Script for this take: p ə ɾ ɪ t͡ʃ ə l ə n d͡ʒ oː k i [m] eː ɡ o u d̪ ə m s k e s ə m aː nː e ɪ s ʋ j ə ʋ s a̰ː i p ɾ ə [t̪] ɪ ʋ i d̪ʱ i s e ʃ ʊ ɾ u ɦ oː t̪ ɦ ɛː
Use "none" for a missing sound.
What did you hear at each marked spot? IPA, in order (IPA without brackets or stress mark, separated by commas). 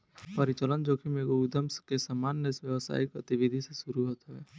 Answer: m, t̪